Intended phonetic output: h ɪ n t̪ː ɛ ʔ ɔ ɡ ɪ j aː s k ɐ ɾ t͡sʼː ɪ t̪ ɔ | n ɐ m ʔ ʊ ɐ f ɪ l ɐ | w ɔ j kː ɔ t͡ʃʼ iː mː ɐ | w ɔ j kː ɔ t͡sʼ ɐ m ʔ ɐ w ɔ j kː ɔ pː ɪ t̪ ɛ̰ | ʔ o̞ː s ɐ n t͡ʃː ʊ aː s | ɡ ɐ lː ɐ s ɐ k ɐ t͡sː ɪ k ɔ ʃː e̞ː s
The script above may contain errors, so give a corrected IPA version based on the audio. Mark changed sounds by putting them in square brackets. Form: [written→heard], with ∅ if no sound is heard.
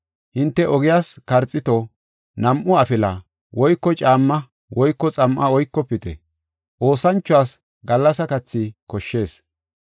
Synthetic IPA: h ɪ n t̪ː ɛ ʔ ɔ ɡ ɪ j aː s k ɐ ɾ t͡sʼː ɪ t̪ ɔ | n ɐ m ʔ ʊ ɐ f ɪ l ɐ | w ɔ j kː ɔ t͡ʃʼ [iː→aː] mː ɐ | w ɔ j kː ɔ t͡sʼ ɐ m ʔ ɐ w ɔ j kː ɔ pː ɪ t̪ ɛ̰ | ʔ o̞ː s ɐ n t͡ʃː ʊ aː s | ɡ ɐ lː ɐ s ɐ k ɐ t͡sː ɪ k ɔ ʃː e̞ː s